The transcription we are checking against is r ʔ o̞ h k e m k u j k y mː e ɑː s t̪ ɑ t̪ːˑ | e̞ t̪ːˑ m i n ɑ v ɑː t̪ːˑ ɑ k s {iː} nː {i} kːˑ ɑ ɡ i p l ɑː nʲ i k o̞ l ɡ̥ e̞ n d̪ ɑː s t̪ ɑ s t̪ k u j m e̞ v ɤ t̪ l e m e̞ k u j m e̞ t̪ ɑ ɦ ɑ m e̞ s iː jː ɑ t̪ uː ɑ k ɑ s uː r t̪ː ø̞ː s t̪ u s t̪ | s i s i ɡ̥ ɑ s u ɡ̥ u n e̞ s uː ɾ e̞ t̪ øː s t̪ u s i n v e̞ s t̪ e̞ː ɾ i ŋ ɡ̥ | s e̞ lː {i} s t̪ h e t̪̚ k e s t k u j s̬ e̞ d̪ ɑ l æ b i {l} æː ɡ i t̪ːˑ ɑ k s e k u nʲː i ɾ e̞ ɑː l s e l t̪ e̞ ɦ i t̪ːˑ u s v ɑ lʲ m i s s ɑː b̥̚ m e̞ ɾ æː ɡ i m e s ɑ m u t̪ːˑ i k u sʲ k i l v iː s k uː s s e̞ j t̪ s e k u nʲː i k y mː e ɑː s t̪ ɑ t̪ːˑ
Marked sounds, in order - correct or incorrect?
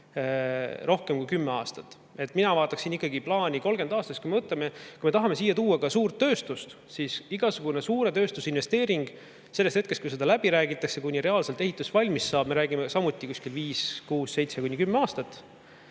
incorrect: i, correct, incorrect: e, incorrect: ɾ

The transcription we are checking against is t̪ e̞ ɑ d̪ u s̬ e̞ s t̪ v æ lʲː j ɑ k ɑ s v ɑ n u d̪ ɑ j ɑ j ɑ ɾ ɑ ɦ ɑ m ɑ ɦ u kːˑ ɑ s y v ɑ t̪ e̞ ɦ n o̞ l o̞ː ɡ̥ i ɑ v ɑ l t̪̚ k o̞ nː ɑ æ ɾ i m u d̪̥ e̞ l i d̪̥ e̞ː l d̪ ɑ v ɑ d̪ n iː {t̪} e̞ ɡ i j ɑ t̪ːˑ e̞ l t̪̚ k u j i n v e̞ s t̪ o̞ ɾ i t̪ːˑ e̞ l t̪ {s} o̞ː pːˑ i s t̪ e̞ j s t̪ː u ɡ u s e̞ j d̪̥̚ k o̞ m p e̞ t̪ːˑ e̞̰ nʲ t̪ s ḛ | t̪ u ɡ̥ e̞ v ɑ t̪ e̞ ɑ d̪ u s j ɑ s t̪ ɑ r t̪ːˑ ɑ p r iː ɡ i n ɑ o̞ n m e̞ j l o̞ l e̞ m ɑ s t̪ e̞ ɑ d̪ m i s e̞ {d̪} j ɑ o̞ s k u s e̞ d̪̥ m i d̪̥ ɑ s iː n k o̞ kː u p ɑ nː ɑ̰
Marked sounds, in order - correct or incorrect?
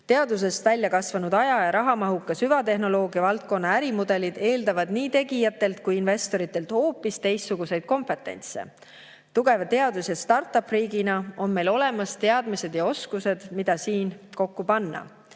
correct, incorrect: h, correct

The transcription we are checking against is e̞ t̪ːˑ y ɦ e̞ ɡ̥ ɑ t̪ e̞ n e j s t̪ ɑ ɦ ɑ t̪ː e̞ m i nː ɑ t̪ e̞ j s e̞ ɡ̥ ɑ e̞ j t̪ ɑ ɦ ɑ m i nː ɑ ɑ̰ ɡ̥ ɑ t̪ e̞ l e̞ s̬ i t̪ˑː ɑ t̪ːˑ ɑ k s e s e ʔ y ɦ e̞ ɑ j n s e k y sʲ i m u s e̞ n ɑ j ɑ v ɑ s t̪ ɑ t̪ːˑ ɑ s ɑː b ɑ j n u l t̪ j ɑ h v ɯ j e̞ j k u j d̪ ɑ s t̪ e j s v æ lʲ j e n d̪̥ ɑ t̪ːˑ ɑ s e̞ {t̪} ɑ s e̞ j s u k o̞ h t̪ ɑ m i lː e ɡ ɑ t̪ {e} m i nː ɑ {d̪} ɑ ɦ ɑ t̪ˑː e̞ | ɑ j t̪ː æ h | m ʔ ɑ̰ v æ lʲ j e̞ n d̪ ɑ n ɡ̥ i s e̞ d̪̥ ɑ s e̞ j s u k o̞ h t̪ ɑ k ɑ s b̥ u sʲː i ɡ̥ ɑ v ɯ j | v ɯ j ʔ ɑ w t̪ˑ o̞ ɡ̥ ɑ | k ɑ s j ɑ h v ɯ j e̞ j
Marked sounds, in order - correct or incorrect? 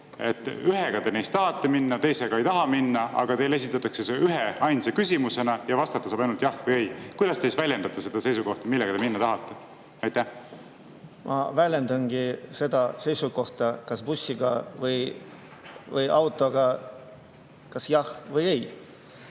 incorrect: d̪, correct, incorrect: t̪

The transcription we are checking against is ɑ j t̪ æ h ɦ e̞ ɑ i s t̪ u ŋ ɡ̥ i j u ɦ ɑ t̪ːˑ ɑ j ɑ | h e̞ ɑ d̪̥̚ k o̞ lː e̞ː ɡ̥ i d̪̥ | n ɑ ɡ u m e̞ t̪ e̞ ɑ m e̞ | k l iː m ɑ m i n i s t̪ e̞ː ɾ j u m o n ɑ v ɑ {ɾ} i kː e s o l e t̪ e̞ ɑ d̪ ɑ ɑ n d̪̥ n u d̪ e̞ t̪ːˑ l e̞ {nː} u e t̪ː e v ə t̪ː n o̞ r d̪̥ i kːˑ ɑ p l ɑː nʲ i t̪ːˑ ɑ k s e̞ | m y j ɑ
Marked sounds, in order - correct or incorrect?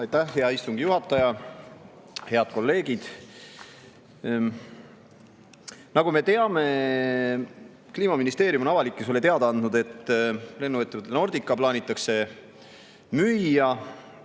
incorrect: l, correct

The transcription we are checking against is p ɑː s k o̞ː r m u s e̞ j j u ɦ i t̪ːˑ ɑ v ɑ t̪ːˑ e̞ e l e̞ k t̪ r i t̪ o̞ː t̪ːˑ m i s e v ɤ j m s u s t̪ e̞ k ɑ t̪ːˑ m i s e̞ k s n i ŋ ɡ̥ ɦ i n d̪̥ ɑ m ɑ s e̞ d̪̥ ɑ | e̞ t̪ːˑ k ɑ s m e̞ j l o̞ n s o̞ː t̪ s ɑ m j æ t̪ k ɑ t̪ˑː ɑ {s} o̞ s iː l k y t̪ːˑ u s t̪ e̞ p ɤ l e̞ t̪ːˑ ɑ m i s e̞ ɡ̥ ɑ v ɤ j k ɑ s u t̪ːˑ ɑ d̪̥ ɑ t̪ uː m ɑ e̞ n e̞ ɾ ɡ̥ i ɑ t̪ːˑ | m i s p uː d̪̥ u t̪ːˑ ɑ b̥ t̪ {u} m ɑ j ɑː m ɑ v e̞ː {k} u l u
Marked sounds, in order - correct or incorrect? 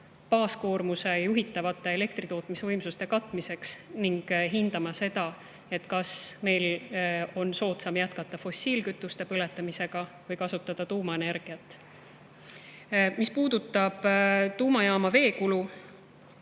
incorrect: f, incorrect: uː, correct

